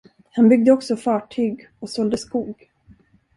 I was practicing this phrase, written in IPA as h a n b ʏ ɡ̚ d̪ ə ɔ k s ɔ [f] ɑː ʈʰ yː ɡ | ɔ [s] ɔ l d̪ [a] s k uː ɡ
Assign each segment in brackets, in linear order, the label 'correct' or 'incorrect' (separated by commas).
correct, correct, incorrect